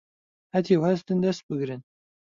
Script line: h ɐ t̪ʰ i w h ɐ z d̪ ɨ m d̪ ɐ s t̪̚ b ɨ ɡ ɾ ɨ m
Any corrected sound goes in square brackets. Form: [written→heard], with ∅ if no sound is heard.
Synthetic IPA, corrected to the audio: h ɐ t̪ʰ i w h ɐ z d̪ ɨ [m→n] d̪ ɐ s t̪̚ b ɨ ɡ ɾ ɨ [m→n]